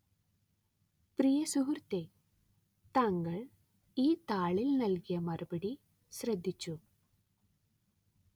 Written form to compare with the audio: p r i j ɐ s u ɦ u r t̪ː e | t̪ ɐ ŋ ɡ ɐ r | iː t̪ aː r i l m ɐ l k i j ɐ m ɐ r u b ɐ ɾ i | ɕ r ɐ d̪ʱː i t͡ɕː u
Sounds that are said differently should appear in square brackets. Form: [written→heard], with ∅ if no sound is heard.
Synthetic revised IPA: p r i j ɐ s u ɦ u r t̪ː e | t̪ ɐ ŋ ɡ ɐ [r→ɭ] | iː t̪ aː [r→ɭ] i l [m→n] ɐ l k i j ɐ m ɐ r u b ɐ [ɾ→ɽ] i | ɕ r ɐ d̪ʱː i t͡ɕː u